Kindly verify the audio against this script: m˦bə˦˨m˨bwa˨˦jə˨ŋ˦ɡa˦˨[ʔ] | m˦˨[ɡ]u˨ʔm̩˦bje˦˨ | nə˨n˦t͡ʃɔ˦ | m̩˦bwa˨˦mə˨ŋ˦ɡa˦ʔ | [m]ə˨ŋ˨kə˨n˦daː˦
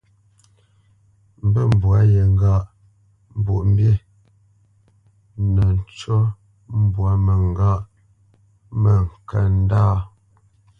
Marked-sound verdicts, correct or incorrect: correct, incorrect, correct

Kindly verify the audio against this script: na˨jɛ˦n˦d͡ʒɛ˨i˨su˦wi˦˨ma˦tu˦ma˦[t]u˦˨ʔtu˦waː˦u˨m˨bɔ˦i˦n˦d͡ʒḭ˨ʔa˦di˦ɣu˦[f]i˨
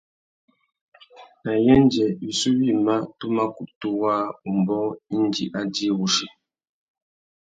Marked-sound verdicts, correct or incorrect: incorrect, incorrect

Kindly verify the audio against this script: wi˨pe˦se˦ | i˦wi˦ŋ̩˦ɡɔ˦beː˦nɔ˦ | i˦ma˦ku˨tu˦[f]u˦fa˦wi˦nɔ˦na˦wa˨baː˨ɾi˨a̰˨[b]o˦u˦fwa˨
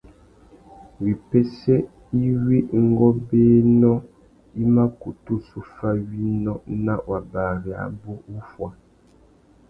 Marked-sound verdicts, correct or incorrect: incorrect, correct

